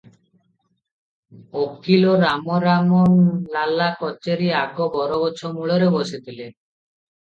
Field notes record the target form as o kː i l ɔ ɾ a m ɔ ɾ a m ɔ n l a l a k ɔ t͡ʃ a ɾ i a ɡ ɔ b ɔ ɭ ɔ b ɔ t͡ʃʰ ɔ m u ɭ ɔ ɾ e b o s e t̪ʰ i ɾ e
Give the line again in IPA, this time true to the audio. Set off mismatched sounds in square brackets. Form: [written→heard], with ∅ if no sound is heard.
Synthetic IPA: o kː i l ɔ ɾ a m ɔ ɾ a m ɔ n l a l a k ɔ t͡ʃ [a→e] ɾ i a ɡ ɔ b ɔ [ɭ→ɾ] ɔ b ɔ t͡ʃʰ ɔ m u ɭ ɔ ɾ e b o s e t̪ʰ i [ɾ→l] e